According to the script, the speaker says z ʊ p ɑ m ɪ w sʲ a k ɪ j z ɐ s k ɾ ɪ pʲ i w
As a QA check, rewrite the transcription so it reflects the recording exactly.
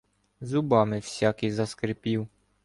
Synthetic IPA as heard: z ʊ b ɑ m ɪ w sʲ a k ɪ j z ɐ s k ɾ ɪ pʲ i w